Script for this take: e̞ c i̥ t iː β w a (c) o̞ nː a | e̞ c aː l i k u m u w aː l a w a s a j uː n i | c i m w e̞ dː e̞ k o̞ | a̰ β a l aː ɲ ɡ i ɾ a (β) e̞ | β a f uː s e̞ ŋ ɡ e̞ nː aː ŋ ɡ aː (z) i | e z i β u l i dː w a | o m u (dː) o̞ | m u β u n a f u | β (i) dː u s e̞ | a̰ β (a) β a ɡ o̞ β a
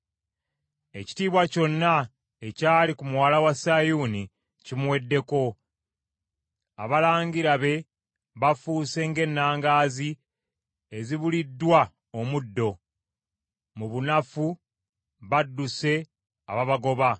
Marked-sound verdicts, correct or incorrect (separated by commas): correct, correct, correct, correct, incorrect, correct